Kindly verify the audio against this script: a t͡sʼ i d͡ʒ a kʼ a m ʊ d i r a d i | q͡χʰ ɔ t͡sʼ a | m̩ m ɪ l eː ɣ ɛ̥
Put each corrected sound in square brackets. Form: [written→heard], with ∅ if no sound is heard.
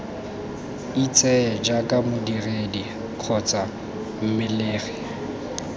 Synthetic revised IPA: [a→i] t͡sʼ [i→ɛ] d͡ʒ a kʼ a m ʊ d i r [a→e] d i | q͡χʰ ɔ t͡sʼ a | m̩ m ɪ l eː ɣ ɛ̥